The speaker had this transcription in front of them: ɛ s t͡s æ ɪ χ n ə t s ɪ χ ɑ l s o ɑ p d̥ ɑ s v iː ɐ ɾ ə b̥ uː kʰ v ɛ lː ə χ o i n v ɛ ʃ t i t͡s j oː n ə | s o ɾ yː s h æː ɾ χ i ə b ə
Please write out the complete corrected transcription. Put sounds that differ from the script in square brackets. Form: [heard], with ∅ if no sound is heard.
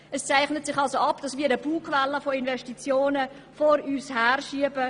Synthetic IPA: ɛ s t͡s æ ɪ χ n ə t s ɪ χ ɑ l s o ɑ p d̥ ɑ s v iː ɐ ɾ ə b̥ uː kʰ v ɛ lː ə [f] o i n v ɛ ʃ t i t͡s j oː n ə | [f] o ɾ yː s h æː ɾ [ʃ] i ə b ə